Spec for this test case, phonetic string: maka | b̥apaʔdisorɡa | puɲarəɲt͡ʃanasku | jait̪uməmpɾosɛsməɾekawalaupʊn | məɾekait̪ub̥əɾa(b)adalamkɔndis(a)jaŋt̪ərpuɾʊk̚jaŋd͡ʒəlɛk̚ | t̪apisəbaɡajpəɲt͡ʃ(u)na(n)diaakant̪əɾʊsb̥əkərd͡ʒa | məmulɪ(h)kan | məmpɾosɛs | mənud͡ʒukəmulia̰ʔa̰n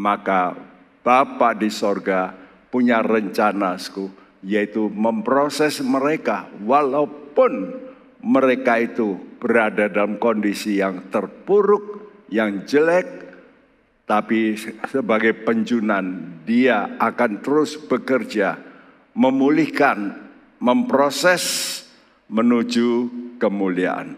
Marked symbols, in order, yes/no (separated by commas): no, no, yes, yes, yes